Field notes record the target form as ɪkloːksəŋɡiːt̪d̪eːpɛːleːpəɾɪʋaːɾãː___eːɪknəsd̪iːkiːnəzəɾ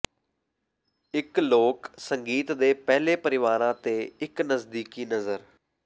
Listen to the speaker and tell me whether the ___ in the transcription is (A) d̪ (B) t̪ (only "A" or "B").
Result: B